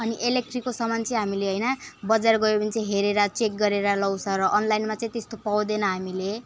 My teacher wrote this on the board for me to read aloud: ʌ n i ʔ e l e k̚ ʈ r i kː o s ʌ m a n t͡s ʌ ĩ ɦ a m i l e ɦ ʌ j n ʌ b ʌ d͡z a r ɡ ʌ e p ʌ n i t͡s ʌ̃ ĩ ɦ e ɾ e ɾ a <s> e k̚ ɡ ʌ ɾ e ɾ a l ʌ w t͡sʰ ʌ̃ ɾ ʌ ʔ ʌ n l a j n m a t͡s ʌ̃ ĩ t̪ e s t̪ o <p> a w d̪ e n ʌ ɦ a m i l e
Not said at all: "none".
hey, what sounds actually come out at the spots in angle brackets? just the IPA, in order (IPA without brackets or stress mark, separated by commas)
t͡s, p